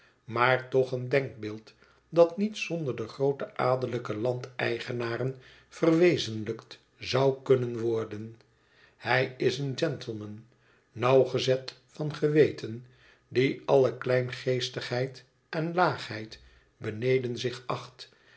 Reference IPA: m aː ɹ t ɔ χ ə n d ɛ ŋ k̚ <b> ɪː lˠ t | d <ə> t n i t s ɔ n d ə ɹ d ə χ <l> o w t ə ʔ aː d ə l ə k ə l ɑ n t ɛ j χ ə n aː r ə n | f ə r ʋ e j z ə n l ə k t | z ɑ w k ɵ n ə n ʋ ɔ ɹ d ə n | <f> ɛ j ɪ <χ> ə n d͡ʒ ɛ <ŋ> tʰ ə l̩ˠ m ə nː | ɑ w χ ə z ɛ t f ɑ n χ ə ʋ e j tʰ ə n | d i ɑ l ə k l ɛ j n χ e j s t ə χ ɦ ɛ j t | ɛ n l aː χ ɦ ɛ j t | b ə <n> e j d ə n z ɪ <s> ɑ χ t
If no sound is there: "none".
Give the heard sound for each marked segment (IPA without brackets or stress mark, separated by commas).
b, ɑ, r, h, s, n, n, χ